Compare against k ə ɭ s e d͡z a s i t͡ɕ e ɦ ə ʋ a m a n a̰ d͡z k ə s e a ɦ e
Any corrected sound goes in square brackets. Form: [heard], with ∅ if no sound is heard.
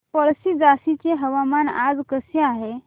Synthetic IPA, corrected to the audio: [p] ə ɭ s [i] d͡z a s i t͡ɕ e ɦ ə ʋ a m a n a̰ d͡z k ə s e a ɦ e